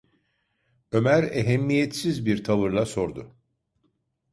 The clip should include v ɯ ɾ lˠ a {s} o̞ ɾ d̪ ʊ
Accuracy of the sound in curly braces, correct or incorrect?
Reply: correct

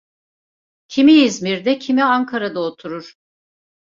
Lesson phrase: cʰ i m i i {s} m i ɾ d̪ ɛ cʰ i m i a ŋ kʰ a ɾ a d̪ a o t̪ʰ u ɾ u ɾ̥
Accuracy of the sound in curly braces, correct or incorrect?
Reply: incorrect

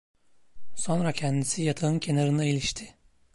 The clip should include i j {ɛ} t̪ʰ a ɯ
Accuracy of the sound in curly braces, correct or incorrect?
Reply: incorrect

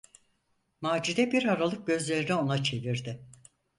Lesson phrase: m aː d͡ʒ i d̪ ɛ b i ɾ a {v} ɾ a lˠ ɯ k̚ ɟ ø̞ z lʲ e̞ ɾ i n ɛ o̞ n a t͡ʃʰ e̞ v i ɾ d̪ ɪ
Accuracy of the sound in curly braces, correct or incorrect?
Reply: incorrect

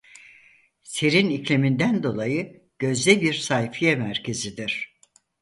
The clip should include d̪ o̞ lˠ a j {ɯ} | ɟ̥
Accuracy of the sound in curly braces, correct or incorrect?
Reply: correct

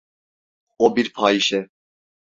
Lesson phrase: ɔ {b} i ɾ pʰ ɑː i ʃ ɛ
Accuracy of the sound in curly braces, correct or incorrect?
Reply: correct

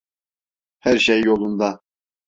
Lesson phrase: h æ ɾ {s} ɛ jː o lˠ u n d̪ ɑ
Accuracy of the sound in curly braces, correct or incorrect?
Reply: incorrect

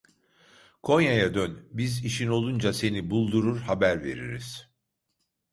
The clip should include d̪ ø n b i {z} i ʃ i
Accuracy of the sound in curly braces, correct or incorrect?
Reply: correct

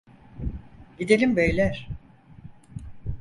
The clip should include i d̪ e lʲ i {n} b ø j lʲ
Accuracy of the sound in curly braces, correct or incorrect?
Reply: incorrect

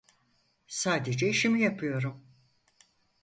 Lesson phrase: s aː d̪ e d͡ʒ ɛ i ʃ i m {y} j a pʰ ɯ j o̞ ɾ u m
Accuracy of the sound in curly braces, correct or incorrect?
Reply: incorrect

